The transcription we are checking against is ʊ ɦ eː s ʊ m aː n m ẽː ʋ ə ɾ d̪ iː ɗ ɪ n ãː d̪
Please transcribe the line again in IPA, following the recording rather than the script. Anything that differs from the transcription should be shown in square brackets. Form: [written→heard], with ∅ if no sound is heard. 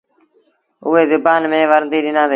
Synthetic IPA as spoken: ʊ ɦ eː [s→z] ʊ [m→b] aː n m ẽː ʋ ə ɾ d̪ iː ɗ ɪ n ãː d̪